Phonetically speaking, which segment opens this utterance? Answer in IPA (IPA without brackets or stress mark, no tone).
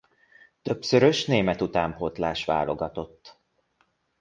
t̪